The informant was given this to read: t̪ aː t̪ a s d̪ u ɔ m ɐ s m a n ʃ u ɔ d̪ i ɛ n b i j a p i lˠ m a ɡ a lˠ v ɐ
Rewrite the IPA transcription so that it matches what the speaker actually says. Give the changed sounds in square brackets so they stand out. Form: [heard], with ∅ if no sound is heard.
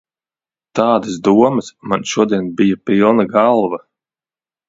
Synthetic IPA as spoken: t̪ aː [d̪] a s d̪ u ɔ m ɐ s m a n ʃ u ɔ d̪ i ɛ n b i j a p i lˠ [n] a ɡ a lˠ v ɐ